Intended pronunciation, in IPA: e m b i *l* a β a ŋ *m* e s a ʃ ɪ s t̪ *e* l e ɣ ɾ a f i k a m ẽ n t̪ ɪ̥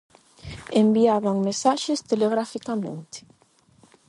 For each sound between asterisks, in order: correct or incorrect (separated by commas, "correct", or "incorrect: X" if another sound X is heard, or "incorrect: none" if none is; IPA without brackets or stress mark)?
incorrect: none, correct, correct